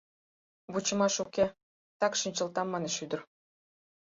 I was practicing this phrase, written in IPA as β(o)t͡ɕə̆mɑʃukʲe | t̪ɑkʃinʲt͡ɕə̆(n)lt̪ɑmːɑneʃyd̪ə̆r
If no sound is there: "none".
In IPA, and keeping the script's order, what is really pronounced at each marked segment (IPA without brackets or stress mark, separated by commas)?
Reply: u, none